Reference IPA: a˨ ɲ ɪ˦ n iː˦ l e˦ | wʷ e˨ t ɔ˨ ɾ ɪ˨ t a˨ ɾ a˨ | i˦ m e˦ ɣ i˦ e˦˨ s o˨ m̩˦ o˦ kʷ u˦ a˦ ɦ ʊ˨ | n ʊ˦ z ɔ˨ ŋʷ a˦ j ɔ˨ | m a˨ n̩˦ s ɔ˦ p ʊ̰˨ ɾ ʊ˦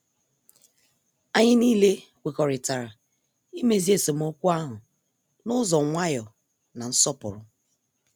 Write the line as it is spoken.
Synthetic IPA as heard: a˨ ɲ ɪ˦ n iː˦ l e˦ | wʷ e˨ k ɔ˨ ɾ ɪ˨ t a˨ ɾ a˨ | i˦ m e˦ z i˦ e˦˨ s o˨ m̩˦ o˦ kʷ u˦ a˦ ɦ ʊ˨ | n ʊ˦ z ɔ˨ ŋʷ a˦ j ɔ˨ | n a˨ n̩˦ s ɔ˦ p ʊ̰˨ ɾ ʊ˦